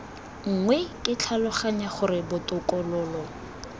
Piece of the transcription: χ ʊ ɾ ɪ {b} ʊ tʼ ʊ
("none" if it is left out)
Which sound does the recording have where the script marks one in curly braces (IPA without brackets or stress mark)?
b